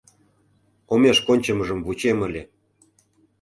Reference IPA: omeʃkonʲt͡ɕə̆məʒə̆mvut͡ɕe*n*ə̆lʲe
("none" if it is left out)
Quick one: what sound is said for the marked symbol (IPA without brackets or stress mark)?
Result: m